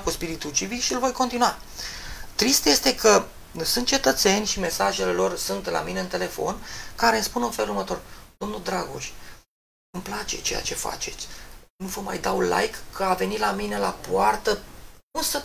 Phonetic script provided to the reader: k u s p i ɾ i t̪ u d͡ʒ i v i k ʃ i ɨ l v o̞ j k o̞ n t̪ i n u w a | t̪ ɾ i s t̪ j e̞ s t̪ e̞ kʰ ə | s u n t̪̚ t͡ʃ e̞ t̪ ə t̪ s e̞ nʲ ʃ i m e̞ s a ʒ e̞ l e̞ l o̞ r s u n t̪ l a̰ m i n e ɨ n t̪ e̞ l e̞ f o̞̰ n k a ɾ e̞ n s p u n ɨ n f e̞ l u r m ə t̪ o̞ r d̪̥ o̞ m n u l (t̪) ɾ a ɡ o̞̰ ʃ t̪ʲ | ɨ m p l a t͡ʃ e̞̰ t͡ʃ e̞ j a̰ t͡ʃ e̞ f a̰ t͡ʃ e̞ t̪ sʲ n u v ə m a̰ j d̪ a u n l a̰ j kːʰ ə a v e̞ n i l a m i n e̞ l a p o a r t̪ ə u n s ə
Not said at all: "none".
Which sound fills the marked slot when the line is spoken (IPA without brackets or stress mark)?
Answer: d̪